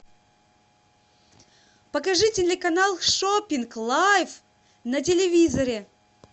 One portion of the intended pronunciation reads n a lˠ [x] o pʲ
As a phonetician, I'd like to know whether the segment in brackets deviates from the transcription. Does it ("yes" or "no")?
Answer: yes